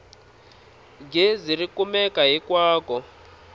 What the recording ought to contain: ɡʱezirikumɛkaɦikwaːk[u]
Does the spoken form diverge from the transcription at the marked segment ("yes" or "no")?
yes